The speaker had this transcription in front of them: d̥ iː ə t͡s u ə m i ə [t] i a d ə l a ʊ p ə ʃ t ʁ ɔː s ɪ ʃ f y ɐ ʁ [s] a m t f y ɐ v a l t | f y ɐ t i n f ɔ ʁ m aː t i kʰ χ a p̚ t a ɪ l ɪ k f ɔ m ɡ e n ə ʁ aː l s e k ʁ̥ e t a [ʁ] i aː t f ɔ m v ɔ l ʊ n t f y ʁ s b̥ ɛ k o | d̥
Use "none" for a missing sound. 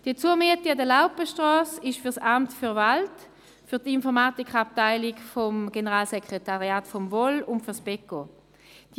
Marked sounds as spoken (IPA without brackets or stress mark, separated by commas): t, s, ʁ